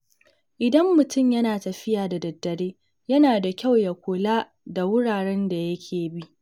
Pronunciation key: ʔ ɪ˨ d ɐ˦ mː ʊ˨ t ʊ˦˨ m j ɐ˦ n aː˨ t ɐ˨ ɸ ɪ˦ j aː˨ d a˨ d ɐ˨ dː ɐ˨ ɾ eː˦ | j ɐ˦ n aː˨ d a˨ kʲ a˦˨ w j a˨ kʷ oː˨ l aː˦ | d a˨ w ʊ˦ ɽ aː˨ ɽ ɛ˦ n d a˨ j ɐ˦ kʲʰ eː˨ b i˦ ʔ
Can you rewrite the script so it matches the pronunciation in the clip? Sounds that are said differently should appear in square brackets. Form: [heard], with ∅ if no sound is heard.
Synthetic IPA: ʔ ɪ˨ d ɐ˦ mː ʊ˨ t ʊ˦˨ m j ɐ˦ n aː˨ t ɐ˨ ɸ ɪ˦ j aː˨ d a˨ d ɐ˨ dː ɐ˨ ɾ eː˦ | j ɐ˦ n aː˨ d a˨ kʲ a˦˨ w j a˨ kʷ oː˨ l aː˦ | d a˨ w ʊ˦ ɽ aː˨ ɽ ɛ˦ n d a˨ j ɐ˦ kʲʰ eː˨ b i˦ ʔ